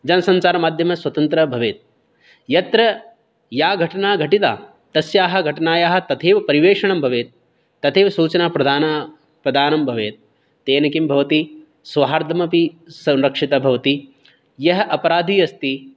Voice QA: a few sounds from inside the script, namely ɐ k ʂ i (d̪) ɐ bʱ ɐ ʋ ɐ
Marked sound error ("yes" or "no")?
yes